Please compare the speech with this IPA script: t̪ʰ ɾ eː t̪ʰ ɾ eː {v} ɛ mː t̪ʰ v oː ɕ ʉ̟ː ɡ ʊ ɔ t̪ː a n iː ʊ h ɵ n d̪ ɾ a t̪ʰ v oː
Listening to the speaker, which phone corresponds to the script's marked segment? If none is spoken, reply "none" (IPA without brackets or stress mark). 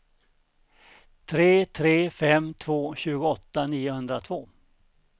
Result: f